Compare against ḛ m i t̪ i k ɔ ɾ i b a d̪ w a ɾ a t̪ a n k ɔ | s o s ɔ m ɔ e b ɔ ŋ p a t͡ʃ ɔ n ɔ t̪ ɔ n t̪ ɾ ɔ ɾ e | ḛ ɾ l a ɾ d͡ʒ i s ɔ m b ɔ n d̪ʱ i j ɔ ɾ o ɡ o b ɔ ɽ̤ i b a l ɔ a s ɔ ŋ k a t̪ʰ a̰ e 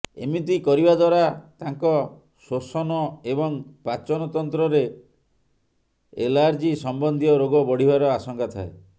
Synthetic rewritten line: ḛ m i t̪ i k ɔ ɾ i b a d̪ w a ɾ a t̪ a ŋ k ɔ | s o s ɔ n ɔ e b ɔ ŋ p a t͡ʃ ɔ n ɔ t̪ ɔ n t̪ ɾ ɔ ɾ e | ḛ l a ɾ d͡ʒ i s ɔ m b ɔ n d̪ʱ i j ɔ ɾ o ɡ ɔ b ɔ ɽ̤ i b a ɾ ɔ a s ɔ ŋ k a t̪ʰ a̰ e